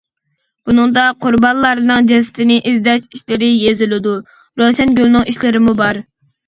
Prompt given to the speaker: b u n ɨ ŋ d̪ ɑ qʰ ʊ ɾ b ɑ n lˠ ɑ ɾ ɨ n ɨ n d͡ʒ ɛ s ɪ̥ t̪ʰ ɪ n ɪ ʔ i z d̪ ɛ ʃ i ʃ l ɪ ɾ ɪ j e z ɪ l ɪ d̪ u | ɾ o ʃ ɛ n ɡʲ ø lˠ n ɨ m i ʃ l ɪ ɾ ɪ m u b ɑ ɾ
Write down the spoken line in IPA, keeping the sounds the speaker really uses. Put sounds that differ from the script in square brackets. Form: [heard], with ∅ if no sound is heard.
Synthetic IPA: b u n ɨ ŋ d̪ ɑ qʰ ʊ ɾ b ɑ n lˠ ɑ ɾ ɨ n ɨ [ŋ] d͡ʒ ɛ s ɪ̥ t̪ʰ ɪ n ɪ ʔ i z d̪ ɛ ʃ i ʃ l ɪ ɾ ɪ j e z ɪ l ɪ d̪ u | ɾ o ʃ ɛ n ɡʲ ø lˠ n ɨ [ŋ] i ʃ l ɪ ɾ ɪ m u b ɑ ɾ